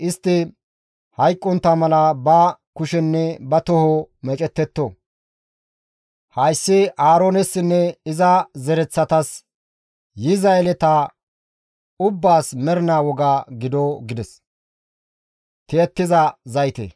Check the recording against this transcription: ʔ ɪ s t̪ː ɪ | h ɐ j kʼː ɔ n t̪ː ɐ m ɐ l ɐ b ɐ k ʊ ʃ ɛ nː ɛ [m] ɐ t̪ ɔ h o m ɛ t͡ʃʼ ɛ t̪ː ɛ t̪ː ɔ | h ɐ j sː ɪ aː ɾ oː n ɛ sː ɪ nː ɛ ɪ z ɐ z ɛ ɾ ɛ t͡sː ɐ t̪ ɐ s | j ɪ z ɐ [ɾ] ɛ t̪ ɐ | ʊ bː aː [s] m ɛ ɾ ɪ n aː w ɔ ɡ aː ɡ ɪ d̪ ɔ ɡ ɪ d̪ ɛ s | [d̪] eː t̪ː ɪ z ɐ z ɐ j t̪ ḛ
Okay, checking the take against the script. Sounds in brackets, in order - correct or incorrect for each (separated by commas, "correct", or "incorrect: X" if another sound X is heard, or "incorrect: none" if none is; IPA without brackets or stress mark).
incorrect: b, incorrect: l, correct, incorrect: t̪